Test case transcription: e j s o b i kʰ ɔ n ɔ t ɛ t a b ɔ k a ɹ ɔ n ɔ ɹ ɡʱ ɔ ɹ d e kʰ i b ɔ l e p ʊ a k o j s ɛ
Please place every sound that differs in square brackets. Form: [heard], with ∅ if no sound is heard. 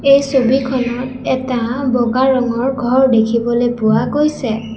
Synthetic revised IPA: e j s o b i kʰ ɔ n ɔ t ɛ t a b ɔ [ɡ] a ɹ ɔ [ŋ] ɔ ɹ ɡʱ ɔ ɹ d e kʰ i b ɔ l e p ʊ a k o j s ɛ